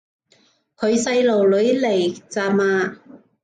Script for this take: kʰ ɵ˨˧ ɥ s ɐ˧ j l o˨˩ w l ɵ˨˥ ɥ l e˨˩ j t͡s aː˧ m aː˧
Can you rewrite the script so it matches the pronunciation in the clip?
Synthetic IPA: kʰ ɵ˨˧ ɥ s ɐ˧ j l o˨˩ w l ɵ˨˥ ɥ l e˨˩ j t͡s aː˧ m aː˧

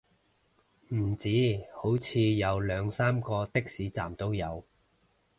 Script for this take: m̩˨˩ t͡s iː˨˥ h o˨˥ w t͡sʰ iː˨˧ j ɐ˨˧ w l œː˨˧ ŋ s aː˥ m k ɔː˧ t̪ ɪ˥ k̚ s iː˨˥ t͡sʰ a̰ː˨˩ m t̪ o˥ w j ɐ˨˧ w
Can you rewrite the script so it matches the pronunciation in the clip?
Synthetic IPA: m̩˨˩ t͡s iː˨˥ h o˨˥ w t͡sʰ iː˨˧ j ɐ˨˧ w l œː˨˧ ŋ s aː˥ m k ɔː˧ t̪ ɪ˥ k̚ s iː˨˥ t͡s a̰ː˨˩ m t̪ o˥ w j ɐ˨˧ w

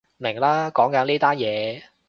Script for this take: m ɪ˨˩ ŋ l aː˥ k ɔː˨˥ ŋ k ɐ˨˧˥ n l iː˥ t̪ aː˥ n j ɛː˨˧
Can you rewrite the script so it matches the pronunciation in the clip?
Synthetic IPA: m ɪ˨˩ ŋ l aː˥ k ɔː˨˥ ŋ k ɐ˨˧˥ n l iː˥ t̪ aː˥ n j ɛː˨˧

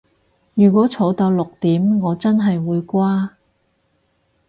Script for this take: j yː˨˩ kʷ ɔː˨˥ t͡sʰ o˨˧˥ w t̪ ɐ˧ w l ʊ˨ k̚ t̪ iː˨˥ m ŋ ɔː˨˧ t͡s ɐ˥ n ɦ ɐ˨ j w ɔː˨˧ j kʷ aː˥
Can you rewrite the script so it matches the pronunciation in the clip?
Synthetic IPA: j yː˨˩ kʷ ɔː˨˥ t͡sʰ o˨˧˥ w t̪ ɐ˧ w l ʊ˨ k̚ t̪ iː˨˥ m ŋ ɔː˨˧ t͡s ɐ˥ n ɦ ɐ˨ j w uː˨˧ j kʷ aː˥

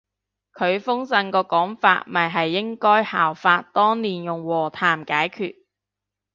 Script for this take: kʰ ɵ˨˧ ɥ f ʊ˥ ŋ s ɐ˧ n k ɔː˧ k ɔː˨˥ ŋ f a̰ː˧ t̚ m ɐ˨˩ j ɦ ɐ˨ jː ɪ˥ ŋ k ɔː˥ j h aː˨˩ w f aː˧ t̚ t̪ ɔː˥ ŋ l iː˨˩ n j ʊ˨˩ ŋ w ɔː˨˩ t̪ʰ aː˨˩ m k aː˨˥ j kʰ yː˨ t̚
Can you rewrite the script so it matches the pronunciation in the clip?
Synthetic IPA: kʰ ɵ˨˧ ɥ f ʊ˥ ŋ s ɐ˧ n k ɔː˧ k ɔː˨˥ ŋ f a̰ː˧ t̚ m ɐ˨˩ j ɦ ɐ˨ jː ɪ˥ ŋ k ɔː˥ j h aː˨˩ w f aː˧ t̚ t̪ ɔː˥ ŋ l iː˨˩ n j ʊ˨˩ ŋ w ɔː˨˩ t̪ʰ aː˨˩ m k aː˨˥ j kʰ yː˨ t̚

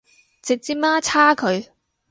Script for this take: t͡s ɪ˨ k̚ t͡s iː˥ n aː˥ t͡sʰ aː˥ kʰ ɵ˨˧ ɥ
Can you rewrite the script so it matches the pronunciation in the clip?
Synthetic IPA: t͡s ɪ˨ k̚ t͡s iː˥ m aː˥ t͡sʰ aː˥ kʰ ɵ˨˧ ɥ

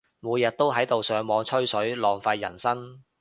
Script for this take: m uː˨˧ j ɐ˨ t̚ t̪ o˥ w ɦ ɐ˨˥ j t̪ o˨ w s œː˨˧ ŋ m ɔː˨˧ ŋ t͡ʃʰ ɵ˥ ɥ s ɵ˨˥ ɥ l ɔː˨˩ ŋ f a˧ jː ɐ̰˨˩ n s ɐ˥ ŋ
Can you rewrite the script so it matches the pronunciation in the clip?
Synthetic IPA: m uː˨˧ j ɐ˨ t̚ t̪ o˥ w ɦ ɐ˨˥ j t̪ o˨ w s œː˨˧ ŋ m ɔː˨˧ ŋ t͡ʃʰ ɵ˥ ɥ s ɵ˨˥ ɥ l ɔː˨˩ ŋ f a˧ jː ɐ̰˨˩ n s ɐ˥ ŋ

